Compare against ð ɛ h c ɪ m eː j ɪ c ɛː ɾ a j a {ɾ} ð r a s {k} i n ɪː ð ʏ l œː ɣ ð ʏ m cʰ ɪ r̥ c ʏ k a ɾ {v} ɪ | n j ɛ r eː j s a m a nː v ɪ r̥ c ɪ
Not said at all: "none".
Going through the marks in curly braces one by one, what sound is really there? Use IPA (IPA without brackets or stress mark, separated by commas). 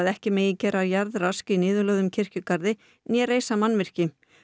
ɾ, k, ð